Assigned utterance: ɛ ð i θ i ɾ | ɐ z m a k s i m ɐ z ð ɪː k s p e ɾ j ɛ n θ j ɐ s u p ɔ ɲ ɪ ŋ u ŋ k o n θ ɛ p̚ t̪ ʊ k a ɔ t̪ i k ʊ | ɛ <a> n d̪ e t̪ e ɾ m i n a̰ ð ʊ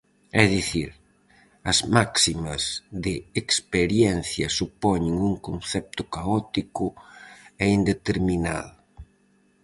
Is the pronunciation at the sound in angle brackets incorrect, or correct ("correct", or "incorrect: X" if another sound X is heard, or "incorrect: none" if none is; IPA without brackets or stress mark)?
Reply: incorrect: i